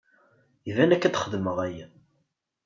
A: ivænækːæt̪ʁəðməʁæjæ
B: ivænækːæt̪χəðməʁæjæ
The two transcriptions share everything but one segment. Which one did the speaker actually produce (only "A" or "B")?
B